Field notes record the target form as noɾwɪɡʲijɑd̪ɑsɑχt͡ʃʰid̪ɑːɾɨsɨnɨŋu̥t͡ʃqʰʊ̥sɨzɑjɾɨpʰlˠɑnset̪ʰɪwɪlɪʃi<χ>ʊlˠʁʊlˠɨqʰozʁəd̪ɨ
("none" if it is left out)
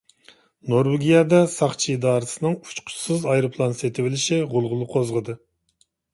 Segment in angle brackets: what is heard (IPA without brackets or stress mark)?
ʁ